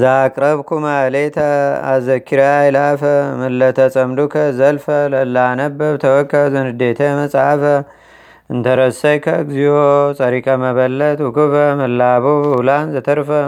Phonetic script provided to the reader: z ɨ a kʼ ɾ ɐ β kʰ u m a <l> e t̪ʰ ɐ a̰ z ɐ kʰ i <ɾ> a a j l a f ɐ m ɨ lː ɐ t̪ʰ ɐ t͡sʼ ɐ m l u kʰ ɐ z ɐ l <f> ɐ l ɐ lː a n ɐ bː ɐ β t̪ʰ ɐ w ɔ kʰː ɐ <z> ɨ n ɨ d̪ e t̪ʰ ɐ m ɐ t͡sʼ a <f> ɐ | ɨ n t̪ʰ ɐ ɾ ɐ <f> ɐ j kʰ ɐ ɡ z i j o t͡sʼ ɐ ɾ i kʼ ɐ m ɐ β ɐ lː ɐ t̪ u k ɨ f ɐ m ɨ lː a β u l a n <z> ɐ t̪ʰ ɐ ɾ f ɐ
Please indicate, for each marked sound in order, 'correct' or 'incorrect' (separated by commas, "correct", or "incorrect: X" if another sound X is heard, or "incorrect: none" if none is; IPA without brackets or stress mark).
correct, correct, correct, correct, correct, incorrect: s, correct